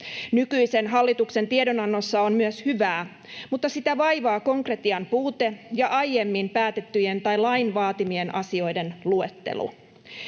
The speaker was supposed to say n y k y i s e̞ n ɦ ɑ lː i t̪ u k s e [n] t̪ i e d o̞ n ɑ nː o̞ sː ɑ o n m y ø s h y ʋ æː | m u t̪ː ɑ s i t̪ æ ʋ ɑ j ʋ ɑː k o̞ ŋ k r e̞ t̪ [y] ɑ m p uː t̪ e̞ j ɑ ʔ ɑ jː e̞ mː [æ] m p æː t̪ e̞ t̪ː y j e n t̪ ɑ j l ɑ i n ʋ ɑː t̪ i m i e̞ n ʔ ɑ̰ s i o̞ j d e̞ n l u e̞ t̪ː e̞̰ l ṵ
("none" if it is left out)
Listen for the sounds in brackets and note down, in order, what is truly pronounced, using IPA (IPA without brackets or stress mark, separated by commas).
n, i, i